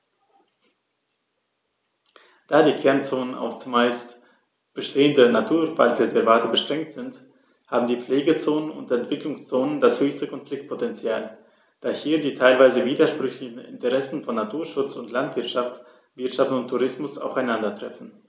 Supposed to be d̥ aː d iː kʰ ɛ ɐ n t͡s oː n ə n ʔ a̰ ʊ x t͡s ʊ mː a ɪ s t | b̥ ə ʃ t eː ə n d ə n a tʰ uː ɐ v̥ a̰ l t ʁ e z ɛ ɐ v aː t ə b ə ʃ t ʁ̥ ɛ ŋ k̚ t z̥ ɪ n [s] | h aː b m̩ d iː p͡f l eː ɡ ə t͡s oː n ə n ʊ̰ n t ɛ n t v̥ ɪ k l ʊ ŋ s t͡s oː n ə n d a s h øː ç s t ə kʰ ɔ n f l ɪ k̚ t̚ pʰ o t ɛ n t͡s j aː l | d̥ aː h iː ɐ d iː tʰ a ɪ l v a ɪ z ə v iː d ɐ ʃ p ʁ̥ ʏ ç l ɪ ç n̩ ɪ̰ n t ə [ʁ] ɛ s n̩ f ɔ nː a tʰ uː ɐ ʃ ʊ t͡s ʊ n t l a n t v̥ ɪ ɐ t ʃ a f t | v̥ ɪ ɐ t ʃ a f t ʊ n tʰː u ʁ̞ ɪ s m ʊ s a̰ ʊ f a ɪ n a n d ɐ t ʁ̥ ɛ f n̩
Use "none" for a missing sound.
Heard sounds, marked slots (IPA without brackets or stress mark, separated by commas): t, ʁ